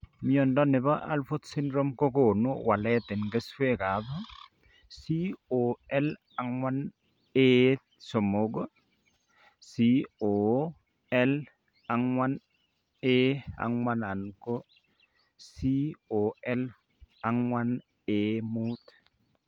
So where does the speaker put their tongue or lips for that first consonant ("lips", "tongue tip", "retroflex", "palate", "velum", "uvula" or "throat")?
lips